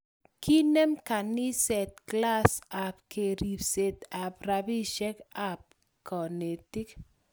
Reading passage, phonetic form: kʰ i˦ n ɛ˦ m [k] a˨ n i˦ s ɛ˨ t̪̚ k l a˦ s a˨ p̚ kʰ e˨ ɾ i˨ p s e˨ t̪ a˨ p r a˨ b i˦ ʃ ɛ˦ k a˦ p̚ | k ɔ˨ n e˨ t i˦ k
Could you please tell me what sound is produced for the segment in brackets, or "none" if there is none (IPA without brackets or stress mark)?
k